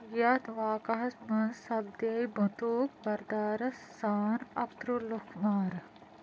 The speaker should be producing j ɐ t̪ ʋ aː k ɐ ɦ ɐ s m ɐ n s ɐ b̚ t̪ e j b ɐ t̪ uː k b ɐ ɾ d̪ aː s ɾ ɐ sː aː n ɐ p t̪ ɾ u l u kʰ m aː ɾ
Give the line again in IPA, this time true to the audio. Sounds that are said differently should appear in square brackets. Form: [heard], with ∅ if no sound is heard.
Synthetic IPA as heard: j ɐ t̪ ʋ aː k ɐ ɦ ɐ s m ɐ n s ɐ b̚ [d̪] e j b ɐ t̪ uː k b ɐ ɾ d̪ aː [∅] ɾ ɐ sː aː n ɐ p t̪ ɾ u l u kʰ m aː ɾ